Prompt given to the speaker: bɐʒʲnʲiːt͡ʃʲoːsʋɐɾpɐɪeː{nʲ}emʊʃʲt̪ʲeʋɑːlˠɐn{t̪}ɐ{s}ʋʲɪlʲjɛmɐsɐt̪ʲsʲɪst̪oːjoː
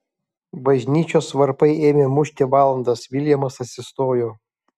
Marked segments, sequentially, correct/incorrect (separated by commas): incorrect, incorrect, correct